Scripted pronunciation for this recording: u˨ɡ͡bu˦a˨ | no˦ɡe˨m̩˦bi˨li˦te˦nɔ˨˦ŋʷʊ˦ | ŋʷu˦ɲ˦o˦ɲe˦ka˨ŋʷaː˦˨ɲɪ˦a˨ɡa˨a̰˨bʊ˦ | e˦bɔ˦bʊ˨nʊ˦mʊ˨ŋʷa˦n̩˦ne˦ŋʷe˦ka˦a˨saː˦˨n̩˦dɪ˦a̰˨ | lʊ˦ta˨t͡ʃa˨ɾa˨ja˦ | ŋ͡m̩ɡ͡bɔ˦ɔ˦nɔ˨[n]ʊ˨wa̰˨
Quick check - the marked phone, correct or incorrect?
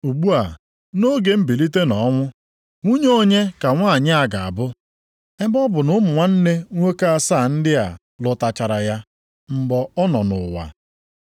correct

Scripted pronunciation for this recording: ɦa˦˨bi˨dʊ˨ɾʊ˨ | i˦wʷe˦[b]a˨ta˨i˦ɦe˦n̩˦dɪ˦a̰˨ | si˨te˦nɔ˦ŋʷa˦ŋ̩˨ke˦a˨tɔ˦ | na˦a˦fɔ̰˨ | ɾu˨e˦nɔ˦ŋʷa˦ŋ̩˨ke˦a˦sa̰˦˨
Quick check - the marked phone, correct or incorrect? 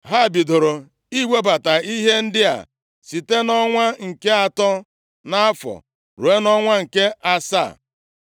correct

